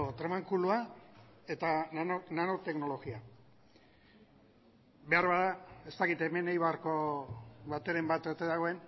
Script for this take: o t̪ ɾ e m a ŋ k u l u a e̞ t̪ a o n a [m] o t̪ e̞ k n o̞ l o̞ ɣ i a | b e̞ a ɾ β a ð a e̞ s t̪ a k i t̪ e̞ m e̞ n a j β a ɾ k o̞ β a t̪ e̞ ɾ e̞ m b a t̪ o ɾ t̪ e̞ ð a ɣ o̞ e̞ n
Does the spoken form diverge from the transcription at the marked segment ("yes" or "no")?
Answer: yes